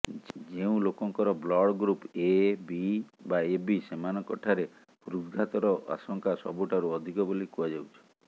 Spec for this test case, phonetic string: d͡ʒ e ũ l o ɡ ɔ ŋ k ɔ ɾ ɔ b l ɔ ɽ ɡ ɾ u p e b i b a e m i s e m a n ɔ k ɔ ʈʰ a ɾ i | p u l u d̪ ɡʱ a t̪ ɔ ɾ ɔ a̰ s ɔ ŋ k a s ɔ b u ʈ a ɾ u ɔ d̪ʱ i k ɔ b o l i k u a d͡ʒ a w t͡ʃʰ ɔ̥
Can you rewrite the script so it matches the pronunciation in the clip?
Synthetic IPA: d͡ʒ e ũ l o k ɔ ŋ k ɔ ɾ ɔ b l ɔ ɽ ɡ ɾ u p e b i b a e b i s e m a n ɔ k ɔ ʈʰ a ɾ e | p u ɾ u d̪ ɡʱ a t̪ ɔ ɾ ɔ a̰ s ɔ ŋ k a s ɔ b u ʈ a ɾ u ɔ d̪ʱ i k ɔ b o l i k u a d͡ʒ a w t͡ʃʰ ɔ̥

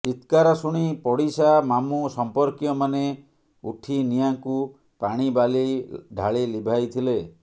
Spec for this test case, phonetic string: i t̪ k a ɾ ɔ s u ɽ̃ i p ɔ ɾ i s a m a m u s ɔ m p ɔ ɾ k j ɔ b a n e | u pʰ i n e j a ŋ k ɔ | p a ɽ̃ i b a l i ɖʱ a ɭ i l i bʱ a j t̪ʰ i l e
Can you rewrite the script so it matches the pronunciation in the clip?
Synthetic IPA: i t̪ k a ɾ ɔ s u ɽ̃ i p ɔ ɽ i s a m a m u s ɔ m p ɔ ɾ k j ɔ m a n e | u ʈʰ i n i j a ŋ k u | p a ɽ̃ i b a l i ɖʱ a ɭ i l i bʱ a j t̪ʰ i l e

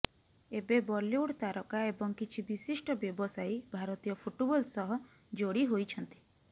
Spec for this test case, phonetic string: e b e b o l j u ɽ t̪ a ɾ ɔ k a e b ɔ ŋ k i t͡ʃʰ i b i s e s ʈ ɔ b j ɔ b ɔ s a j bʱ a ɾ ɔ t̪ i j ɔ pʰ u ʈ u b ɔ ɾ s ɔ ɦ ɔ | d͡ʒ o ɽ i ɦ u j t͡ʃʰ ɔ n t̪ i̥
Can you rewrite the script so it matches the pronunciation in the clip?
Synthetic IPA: e b e b ɔ l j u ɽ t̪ a ɾ ɔ k a e b ɔ ŋ k i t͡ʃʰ i b i s i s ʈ ɔ b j ɔ b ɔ s a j bʱ a ɾ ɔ t̪ i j ɔ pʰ u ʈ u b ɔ l s ɔ ɦ ɔ | d͡ʒ o ɽ i ɦ o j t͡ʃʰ ɔ n t̪ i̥

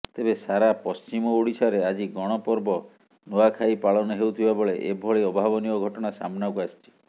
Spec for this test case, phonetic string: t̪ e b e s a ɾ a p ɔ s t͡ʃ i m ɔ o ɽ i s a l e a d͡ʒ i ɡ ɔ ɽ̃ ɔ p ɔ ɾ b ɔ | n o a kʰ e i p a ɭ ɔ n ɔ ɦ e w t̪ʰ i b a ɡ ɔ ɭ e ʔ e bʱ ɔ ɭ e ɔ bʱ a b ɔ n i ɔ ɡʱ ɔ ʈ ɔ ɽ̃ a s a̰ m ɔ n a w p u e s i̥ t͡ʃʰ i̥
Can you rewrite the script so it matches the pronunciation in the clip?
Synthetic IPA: t̪ e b e s a ɾ a p ɔ s t͡ʃ i m ɔ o ɽ i s a ɾ e a d͡ʒ i ɡ ɔ ɽ̃ ɔ p ɔ ɾ b ɔ | n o a kʰ a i p a ɭ ɔ n ɔ ɦ e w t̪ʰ i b a b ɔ ɭ e ʔ e bʱ ɔ ɭ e ɔ bʱ a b ɔ n i ɔ ɡʱ ɔ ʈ ɔ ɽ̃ a s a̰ m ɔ n a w k u a s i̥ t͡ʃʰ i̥

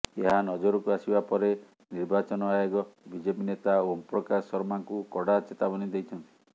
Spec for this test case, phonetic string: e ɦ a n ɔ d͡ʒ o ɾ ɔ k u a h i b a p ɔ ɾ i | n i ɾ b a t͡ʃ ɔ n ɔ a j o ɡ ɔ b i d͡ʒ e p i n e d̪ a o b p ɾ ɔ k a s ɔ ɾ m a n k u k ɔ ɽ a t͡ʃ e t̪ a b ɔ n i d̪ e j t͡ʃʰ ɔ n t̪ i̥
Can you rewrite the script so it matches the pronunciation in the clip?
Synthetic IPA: e ɦ a n ɔ d͡ʒ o ɾ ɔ k u a s i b a p ɔ ɾ e | n i ɾ b a t͡ʃ ɔ n ɔ a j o ɡ ɔ b i d͡ʒ e p i n e t̪ a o m p ɾ ɔ k a s ɔ ɾ m a ŋ k u k ɔ ɽ a t͡ʃ e t̪ a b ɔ n i d̪ e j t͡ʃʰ ɔ n t̪ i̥

